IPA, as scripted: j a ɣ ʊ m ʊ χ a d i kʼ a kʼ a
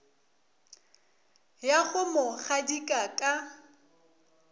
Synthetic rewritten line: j a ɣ ʊ m ʊ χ a d i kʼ a kʼ a